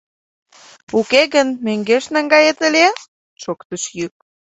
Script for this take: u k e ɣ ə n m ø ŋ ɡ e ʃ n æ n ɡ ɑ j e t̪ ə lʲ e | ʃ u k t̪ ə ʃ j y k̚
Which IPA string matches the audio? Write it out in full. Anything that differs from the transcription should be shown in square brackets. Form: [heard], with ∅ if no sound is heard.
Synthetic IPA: u k e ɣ ə n m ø ŋ ɡ e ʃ n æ [ŋ] ɡ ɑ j e t̪ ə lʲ e | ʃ [o] k t̪ ə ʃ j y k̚